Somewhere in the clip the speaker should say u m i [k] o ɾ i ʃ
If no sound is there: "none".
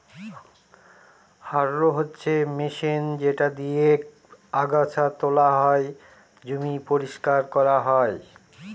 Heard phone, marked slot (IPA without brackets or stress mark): p